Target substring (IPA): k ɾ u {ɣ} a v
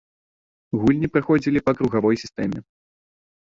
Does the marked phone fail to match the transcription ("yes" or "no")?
no